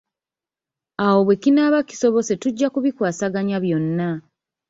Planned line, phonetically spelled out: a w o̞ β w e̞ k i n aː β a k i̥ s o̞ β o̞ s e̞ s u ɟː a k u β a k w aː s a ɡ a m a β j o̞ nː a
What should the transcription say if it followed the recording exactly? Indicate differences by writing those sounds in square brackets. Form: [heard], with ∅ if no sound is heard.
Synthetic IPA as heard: a w o̞ β w e̞ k i n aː β a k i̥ s o̞ β o̞ s e̞ [t] u ɟː a k u β [i] k w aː s a ɡ a [ɲ] a β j o̞ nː a